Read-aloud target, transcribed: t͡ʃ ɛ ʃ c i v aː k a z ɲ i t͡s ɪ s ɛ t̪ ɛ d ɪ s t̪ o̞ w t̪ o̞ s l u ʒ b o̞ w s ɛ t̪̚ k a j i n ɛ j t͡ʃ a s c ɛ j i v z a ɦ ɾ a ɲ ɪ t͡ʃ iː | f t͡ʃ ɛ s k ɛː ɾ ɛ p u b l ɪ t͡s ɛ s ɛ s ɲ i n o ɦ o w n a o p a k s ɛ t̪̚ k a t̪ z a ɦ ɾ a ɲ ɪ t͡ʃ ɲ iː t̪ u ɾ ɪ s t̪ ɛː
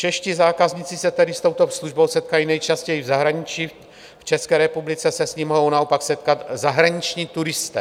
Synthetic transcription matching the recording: t͡ʃ ɛ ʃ c i z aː k a z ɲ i t͡s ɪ s ɛ t̪ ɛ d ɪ s t̪ o̞ w t̪ o̞ s l u ʒ b o̞ w s ɛ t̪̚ k a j i n ɛ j t͡ʃ a s c ɛ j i v z a ɦ ɾ a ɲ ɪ t͡ʃ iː | f t͡ʃ ɛ s k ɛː ɾ ɛ p u b l ɪ t͡s ɛ s ɛ s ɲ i m o ɦ o w n a o p a k s ɛ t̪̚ k a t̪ z a ɦ ɾ a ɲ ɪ t͡ʃ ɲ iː t̪ u ɾ ɪ s t̪ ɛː